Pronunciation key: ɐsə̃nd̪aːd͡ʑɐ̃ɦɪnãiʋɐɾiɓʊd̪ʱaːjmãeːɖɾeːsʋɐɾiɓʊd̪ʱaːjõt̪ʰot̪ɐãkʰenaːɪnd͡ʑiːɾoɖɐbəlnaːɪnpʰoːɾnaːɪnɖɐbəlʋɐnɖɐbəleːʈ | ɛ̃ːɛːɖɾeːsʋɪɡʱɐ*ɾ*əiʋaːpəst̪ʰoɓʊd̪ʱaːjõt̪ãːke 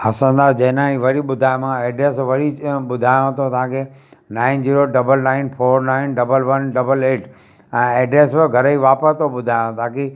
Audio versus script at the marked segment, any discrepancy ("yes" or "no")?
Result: no